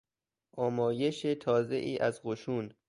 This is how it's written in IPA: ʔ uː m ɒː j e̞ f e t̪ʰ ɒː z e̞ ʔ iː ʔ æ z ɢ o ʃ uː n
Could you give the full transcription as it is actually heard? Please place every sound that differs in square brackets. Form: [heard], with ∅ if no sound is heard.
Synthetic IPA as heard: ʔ [ɒː] m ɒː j e̞ [ʃ] e t̪ʰ ɒː z e̞ ʔ iː ʔ æ z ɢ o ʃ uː n